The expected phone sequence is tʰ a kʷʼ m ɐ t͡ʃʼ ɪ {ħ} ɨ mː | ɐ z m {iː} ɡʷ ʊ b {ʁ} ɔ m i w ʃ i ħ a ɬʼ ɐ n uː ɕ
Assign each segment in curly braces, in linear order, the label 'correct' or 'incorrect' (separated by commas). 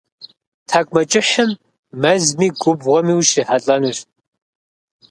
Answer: correct, correct, correct